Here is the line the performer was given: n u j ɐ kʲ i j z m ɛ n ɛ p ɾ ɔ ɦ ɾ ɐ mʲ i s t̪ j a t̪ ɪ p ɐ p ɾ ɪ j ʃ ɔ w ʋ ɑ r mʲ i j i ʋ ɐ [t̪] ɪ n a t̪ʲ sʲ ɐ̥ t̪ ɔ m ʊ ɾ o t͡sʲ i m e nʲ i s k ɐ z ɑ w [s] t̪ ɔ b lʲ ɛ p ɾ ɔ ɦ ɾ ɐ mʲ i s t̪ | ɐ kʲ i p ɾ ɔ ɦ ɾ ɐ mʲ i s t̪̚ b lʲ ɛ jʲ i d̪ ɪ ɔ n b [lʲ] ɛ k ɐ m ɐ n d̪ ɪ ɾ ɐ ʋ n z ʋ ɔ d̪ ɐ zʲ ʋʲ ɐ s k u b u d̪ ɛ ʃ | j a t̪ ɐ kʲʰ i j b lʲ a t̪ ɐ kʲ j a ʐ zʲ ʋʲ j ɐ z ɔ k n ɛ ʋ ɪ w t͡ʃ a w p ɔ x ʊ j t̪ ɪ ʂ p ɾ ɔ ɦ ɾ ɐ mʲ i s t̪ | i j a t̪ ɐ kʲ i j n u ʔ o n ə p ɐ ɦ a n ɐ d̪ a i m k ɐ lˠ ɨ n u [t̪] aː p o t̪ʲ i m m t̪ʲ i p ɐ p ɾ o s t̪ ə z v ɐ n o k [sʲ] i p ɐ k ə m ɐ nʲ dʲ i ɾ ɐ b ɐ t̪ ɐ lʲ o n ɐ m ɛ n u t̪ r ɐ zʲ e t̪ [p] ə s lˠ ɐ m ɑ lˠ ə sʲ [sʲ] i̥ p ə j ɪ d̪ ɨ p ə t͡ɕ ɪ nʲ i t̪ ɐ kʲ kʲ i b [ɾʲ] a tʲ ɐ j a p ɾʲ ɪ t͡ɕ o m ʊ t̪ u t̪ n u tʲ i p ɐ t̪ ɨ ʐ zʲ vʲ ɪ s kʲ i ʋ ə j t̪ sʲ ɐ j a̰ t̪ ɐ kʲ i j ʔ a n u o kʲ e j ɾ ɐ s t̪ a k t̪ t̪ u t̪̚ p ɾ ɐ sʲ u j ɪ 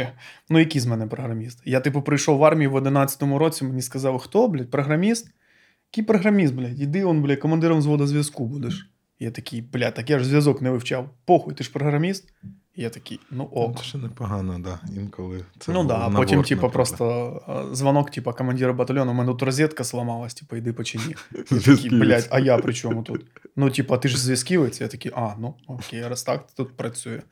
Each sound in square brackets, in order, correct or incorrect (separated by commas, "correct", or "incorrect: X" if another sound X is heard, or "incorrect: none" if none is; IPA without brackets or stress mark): incorrect: d̪, incorrect: x, correct, incorrect: d̪, incorrect: tʲ, incorrect: k, incorrect: tʲ, incorrect: lʲ